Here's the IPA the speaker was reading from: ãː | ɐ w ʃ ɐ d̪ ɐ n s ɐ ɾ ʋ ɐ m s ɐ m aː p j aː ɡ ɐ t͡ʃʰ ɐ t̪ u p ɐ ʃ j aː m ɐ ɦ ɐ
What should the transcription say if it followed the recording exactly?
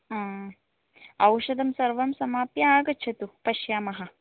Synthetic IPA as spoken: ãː | ɐ w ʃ ɐ d̪ ɐ m s ɐ ɾ ʋ ɐ m s ɐ m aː p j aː ɡ ɐ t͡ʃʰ ɐ t̪ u p ɐ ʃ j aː m ɐ ɦ ɐ

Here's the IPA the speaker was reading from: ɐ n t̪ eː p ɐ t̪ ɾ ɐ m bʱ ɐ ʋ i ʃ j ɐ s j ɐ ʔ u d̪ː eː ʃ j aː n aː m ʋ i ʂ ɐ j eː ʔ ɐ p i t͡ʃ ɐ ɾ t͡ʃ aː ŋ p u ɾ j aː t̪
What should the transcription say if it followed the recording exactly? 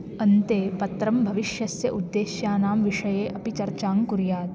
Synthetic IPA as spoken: ɐ n t̪ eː p ɐ t̪ ɾ ɐ m bʱ ɐ ʋ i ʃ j ɐ s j ɐ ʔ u d̪ː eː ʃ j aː n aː m ʋ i ʂ ɐ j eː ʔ ɐ p i t͡ʃ ɐ ɾ t͡ʃ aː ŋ k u ɾ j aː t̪

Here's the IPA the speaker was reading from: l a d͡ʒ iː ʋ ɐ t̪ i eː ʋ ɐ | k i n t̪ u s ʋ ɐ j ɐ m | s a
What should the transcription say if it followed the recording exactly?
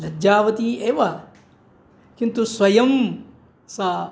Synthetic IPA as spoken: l ɐ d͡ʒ aː ʋ ɐ t̪ i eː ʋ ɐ | k i n t̪ u s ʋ ɐ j ɐ m | s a

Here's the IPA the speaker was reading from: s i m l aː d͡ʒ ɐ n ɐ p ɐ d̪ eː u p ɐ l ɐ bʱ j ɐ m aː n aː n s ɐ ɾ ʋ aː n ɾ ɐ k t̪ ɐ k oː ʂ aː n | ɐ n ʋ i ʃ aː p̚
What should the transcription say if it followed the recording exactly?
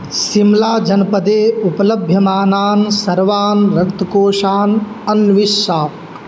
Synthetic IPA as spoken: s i m l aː d͡ʒ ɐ n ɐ p ɐ d̪ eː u p ɐ l ɐ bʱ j ɐ m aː n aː n s ɐ ɾ ʋ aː n ɾ ɐ k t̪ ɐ k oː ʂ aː n | ɐ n ʋ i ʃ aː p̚

